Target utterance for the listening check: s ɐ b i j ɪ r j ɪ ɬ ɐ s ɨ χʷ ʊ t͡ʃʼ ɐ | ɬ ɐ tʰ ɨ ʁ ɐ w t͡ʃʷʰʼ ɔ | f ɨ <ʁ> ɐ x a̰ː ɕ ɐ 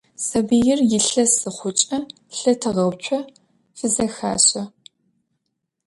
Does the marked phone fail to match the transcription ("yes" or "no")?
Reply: yes